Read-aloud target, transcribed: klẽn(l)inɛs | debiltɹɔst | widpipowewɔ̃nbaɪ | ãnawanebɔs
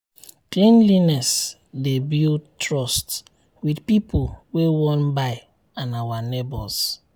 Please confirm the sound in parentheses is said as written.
yes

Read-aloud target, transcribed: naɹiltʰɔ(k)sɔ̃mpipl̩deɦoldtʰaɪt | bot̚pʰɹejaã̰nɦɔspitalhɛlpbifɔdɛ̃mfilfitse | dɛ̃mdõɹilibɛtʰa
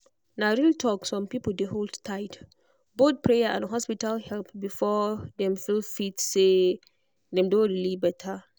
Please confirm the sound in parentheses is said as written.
yes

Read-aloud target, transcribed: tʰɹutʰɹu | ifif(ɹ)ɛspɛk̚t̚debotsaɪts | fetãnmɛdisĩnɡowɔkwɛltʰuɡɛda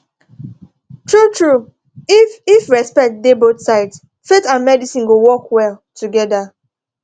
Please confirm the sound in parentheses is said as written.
yes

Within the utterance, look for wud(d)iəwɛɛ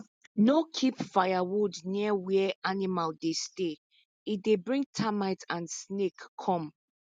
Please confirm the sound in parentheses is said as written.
no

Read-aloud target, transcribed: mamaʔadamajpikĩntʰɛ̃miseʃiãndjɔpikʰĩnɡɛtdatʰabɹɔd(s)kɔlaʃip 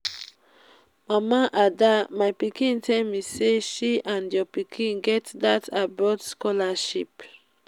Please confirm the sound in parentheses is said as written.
yes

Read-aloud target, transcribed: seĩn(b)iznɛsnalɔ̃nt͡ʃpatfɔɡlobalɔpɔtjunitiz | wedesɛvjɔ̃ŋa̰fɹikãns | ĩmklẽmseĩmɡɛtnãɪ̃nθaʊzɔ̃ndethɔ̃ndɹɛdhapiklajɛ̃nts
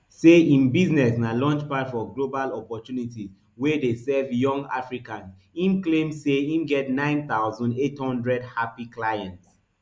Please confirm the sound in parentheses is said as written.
yes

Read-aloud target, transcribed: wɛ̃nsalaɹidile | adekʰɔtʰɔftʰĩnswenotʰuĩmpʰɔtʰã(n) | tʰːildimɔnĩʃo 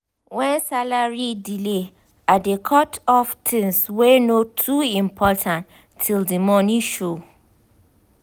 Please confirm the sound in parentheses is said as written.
yes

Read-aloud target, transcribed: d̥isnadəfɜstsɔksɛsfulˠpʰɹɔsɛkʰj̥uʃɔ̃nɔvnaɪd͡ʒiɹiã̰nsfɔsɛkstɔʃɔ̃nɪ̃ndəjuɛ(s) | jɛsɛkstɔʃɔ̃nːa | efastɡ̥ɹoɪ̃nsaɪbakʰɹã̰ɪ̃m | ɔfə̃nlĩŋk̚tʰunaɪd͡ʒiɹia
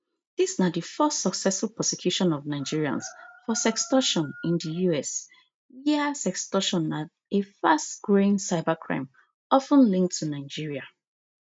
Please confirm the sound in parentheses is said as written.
yes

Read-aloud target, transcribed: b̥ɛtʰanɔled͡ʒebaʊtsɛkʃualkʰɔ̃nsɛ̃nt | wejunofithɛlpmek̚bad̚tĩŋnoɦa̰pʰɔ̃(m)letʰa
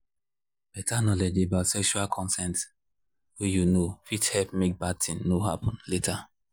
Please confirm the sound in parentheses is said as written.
no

